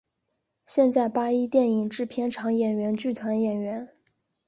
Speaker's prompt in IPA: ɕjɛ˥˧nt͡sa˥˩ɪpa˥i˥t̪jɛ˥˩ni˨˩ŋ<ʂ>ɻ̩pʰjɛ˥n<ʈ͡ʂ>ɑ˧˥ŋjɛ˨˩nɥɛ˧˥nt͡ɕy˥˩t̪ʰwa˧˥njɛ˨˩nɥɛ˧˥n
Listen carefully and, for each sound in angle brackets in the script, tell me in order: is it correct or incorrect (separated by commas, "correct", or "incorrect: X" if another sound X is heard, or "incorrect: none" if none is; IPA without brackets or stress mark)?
incorrect: ʈ͡ʂ, incorrect: ʈ͡ʂʰ